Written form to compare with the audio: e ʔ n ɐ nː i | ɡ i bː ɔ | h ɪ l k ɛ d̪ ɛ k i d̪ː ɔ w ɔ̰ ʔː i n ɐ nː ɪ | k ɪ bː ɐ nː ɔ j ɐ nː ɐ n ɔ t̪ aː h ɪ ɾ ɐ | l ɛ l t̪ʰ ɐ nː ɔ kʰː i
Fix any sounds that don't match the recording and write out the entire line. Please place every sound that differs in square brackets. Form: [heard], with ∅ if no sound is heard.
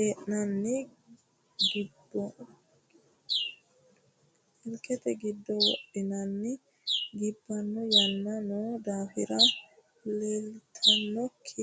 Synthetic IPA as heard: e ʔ n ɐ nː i | ɡ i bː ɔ | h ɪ l k ɛ [t̪] ɛ [ɡ] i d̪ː ɔ w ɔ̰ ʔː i n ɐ nː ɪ | [ɡ] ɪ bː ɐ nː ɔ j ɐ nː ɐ n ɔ [d̪] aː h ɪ ɾ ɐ | l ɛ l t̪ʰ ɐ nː ɔ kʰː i

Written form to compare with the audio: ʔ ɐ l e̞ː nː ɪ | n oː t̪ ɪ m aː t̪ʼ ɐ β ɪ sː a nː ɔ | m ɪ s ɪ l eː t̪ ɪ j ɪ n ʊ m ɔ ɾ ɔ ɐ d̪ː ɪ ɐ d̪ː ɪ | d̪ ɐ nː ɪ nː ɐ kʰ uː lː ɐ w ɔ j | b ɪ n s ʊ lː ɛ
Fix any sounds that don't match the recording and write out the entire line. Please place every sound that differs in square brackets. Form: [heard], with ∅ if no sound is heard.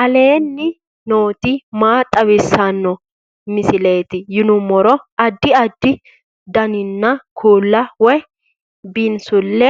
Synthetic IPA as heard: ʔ ɐ l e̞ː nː ɪ | n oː t̪ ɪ m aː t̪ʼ ɐ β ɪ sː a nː ɔ | m ɪ s ɪ l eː t̪ ɪ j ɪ n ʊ m ɔ ɾ ɔ ɐ d̪ː ɪ ɐ d̪ː ɪ | d̪ ɐ [n] ɪ nː ɐ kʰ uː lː ɐ w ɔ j | b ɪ n s ʊ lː ɛ

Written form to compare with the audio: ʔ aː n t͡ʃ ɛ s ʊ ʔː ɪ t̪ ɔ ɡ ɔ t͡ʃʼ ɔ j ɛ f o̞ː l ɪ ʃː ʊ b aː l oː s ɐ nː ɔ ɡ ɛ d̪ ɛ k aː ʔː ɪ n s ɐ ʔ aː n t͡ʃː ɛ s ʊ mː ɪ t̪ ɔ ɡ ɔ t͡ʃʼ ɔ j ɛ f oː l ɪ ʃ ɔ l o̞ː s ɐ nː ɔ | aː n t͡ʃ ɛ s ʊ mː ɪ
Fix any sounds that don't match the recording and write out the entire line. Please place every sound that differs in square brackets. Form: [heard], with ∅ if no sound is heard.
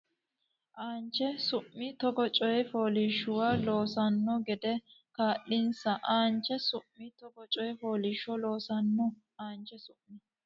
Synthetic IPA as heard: ʔ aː n t͡ʃ ɛ s ʊ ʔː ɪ t̪ ɔ ɡ ɔ t͡ʃʼ ɔ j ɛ f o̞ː l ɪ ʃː ʊ [w] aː l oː s ɐ nː ɔ ɡ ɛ d̪ ɛ k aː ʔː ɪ n s ɐ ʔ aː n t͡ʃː ɛ s ʊ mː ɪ t̪ ɔ ɡ ɔ t͡ʃʼ ɔ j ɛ f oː l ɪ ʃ ɔ l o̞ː s ɐ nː ɔ | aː n t͡ʃ ɛ s ʊ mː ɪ

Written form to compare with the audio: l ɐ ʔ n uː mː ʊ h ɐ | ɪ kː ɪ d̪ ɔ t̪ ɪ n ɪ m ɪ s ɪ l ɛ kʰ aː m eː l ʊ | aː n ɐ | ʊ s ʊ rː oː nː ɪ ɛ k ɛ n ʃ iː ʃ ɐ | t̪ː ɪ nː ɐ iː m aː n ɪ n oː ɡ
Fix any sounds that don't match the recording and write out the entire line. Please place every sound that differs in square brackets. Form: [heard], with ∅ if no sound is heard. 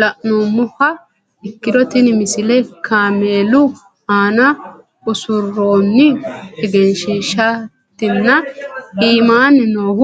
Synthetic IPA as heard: l ɐ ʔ n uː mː ʊ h ɐ | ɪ kː ɪ d̪ ɔ t̪ ɪ n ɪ m ɪ s ɪ l ɛ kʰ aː m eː l ʊ | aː n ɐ | ʊ s ʊ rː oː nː ɪ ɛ [ɡ] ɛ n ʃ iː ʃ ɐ | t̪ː ɪ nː ɐ iː m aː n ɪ n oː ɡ

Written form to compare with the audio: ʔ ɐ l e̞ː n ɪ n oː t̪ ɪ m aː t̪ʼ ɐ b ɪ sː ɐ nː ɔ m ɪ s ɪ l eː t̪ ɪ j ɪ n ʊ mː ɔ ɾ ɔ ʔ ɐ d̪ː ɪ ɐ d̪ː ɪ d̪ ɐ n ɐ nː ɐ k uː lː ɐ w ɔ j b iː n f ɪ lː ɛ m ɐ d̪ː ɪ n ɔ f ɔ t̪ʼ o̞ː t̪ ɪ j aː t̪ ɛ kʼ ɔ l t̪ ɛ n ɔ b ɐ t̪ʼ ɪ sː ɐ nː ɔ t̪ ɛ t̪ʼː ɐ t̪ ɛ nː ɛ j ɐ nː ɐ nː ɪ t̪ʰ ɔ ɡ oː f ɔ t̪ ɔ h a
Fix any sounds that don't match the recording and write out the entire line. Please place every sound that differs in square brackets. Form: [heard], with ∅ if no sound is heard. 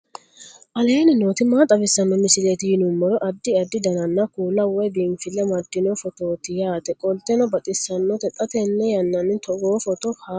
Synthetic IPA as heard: ʔ ɐ l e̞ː n ɪ n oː t̪ ɪ m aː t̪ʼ ɐ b ɪ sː ɐ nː ɔ m ɪ s ɪ l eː t̪ ɪ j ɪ n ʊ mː ɔ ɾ ɔ ʔ ɐ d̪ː ɪ ɐ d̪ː ɪ d̪ ɐ n ɐ nː ɐ k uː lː ɐ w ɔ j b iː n f ɪ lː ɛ m ɐ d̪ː ɪ n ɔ f ɔ [t̪] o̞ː t̪ ɪ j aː t̪ ɛ kʼ ɔ l t̪ ɛ n ɔ b ɐ t̪ʼ ɪ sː ɐ nː ɔ t̪ ɛ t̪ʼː ɐ t̪ ɛ nː ɛ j ɐ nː ɐ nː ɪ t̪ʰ ɔ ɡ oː f ɔ t̪ ɔ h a

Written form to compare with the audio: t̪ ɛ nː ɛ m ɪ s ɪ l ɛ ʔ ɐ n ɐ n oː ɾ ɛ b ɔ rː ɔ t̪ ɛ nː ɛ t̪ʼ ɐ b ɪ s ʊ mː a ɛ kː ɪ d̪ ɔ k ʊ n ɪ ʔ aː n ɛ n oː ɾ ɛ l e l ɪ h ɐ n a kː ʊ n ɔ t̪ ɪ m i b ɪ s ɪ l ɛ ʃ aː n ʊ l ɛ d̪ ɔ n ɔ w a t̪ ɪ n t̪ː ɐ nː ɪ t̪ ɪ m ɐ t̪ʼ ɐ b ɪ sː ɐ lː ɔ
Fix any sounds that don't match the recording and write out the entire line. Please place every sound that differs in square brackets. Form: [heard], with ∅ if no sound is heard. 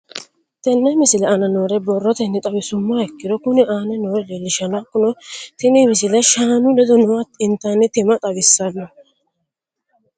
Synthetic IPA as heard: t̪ ɛ nː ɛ m ɪ s ɪ l ɛ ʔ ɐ n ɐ n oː ɾ ɛ b ɔ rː ɔ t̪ ɛ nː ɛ t̪ʼ ɐ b ɪ s ʊ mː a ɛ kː ɪ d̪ ɔ k ʊ n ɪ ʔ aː n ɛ n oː ɾ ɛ l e l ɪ [ʃ] ɐ n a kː ʊ n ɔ t̪ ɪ m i [m] ɪ s ɪ l ɛ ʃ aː n ʊ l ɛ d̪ ɔ n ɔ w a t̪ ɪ n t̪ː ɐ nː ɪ t̪ ɪ m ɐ t̪ʼ ɐ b ɪ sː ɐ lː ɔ

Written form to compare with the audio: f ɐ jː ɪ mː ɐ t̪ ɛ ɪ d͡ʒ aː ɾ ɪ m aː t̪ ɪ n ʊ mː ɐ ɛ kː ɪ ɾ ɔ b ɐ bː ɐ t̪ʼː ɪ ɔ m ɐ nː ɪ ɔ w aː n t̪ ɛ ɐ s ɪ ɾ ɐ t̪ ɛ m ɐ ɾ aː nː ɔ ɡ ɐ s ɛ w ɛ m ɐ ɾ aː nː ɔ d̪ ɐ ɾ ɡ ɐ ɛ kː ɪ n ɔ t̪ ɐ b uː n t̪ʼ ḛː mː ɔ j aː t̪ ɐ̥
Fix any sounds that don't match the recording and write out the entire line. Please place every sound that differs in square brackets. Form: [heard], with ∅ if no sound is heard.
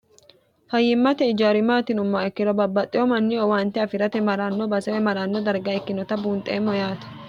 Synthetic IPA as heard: f ɐ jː ɪ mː ɐ t̪ ɛ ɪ d͡ʒ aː ɾ ɪ m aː t̪ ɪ n ʊ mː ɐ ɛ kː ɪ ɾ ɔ b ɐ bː ɐ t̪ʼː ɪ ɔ m ɐ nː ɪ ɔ w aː n t̪ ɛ ɐ [f] ɪ ɾ ɐ t̪ ɛ m ɐ ɾ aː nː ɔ [b] ɐ s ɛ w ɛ m ɐ ɾ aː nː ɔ d̪ ɐ ɾ ɡ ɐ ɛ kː ɪ n ɔ t̪ ɐ b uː n t̪ʼ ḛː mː ɔ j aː t̪ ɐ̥

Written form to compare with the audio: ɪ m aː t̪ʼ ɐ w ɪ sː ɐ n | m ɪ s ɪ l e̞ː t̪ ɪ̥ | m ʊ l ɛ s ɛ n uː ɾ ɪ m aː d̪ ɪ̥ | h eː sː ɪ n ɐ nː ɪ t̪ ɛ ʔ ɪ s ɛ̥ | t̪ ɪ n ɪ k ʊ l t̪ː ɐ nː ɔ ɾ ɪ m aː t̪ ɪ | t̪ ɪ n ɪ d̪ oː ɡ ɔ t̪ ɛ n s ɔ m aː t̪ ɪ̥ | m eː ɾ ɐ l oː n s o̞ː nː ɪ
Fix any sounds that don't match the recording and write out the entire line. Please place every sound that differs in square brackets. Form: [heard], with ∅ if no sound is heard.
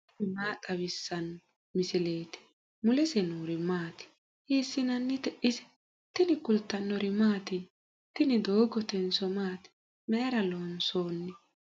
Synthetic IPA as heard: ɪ m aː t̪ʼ ɐ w ɪ sː ɐ n | m ɪ s ɪ l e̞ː t̪ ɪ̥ | m ʊ l ɛ s ɛ n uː ɾ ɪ m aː [t̪] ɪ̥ | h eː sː ɪ n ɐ nː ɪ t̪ ɛ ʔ ɪ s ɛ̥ | t̪ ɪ n ɪ k ʊ l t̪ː ɐ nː ɔ ɾ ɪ m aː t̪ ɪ | t̪ ɪ n ɪ d̪ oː ɡ ɔ t̪ ɛ n s ɔ m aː t̪ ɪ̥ | m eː ɾ ɐ l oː n s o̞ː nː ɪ

